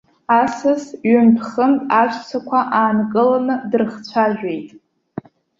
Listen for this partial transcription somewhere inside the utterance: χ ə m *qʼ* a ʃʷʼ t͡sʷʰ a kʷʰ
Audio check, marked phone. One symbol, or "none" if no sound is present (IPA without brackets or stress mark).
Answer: tʼ